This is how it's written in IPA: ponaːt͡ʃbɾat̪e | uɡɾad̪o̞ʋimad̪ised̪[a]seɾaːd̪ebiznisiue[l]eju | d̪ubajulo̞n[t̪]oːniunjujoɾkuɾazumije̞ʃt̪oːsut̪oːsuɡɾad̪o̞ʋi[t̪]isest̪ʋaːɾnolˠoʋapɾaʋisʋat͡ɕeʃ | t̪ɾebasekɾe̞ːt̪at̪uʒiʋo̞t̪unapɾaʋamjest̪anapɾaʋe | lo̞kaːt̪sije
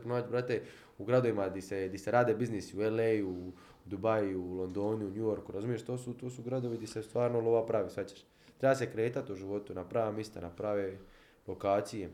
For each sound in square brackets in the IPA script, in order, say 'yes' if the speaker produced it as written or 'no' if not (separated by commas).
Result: no, yes, no, no